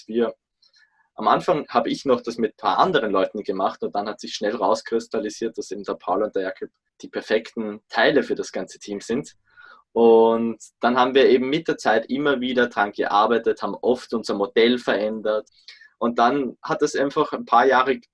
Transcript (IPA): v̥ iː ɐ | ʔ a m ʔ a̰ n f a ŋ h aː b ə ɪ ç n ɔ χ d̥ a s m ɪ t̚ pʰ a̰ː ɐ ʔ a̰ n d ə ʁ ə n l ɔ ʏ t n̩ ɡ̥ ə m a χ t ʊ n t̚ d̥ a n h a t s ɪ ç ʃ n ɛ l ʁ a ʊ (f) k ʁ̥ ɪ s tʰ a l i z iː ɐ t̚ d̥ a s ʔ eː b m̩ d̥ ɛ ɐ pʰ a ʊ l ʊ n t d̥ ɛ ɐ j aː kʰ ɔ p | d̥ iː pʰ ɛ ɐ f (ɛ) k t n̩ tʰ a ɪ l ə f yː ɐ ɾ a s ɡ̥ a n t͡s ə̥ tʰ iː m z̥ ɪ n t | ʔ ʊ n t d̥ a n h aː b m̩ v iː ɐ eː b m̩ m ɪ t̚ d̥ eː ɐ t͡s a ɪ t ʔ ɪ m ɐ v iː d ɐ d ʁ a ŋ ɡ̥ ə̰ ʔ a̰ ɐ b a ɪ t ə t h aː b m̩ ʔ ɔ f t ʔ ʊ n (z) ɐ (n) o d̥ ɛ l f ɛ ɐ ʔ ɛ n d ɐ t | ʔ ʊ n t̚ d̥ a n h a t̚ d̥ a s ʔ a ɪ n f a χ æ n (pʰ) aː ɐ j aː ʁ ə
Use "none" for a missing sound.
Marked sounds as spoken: s, ɛ, z, m, pʰ

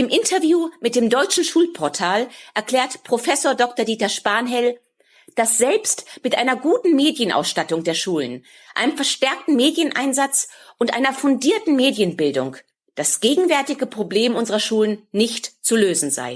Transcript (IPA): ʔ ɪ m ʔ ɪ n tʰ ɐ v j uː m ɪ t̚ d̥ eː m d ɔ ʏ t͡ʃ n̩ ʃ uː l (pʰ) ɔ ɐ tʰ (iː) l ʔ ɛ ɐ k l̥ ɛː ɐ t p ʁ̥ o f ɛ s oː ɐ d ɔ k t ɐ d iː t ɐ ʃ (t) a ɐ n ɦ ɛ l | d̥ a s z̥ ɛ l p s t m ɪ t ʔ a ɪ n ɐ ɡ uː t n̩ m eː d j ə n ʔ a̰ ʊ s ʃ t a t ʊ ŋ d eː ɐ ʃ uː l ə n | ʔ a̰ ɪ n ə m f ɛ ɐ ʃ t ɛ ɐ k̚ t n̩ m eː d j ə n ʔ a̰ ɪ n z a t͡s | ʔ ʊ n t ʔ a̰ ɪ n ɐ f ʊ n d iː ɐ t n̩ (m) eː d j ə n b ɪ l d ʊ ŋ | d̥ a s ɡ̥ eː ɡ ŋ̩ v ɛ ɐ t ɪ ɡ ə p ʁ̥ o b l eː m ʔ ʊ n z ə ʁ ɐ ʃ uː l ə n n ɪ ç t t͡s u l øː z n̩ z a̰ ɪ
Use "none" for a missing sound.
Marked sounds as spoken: pʰ, aː, p, m

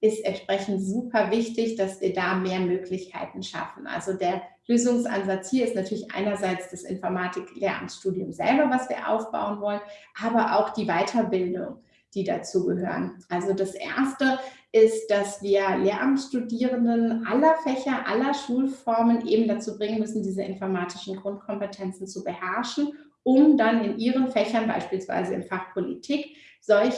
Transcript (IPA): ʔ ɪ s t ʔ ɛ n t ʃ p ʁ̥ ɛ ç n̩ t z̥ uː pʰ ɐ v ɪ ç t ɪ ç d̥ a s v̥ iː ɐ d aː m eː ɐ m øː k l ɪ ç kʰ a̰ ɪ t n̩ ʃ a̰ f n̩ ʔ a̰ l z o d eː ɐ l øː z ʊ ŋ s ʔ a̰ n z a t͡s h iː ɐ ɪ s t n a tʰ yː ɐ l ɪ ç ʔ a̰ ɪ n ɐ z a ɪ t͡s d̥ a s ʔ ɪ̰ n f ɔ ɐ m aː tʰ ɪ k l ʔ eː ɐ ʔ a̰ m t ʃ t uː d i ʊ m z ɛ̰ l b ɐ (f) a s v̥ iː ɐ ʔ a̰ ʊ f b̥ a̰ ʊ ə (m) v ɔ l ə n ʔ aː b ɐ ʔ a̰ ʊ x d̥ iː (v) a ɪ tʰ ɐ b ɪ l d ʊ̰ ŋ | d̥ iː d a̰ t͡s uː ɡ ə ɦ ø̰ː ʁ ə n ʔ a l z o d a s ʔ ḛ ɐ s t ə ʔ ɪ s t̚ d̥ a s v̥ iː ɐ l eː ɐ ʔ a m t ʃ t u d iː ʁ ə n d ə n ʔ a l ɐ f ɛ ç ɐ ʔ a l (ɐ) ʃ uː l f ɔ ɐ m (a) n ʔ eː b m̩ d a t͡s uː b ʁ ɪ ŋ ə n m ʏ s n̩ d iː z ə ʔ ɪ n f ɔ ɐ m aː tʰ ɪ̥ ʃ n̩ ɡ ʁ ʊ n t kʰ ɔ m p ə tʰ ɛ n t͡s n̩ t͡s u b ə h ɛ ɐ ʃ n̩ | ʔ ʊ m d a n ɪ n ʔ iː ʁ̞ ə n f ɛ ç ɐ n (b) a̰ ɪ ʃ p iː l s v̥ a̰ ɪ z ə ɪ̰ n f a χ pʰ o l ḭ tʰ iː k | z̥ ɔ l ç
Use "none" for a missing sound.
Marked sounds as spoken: v, n, v, ɐ, ə, b

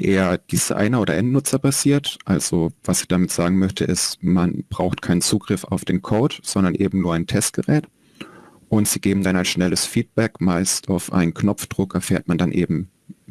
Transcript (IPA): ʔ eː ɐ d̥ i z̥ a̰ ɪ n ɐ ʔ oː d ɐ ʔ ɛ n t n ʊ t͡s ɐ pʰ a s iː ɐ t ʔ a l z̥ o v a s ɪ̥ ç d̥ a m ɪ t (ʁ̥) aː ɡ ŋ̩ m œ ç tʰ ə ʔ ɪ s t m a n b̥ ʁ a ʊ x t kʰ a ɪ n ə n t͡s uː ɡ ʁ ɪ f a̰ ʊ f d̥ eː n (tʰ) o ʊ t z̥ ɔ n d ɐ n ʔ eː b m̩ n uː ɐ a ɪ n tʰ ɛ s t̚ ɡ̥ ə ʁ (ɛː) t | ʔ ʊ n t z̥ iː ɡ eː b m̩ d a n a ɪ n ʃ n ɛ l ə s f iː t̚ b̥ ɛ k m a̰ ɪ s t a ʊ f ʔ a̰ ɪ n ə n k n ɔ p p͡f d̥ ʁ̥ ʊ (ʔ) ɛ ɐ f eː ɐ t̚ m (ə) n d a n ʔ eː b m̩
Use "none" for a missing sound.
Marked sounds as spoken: z̥, kʰ, ɛː, k, a

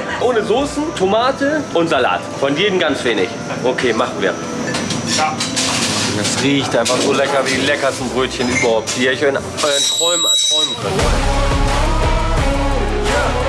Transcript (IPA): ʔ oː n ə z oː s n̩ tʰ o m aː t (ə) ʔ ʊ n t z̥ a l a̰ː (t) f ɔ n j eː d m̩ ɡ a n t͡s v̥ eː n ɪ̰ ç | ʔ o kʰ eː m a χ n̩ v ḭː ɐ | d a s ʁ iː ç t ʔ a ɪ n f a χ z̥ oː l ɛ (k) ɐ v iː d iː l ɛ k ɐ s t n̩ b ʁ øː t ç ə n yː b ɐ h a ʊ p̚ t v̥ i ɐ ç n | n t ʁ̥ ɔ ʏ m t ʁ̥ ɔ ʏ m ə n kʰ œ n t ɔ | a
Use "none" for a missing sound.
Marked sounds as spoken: ə, t, k

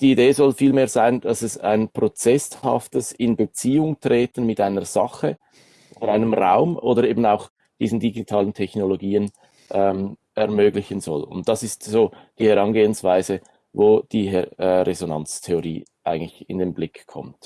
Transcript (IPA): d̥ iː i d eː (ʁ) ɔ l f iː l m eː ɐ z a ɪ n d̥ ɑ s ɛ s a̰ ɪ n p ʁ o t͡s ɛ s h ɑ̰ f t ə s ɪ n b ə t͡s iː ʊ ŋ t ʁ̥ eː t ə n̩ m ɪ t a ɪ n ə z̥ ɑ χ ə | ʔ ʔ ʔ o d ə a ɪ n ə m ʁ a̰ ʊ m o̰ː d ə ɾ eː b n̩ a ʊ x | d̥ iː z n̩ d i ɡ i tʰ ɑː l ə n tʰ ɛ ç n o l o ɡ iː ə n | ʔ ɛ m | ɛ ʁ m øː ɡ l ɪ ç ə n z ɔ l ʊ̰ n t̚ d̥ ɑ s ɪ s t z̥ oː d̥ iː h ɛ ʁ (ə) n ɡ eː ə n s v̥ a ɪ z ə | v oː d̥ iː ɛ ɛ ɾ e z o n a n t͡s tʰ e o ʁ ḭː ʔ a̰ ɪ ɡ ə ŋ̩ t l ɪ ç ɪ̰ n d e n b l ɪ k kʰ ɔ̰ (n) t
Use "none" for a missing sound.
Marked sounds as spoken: z, ɑ, m

